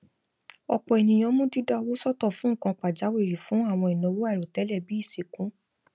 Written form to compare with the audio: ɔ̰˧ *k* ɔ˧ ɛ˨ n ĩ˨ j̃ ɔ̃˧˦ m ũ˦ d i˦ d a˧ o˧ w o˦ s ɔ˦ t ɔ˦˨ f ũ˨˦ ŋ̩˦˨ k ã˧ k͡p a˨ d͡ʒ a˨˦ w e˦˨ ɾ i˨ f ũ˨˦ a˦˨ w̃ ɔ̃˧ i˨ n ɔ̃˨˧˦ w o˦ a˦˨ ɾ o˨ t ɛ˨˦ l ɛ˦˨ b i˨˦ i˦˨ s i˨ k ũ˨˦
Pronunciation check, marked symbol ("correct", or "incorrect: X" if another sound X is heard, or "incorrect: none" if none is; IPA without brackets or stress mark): incorrect: k͡p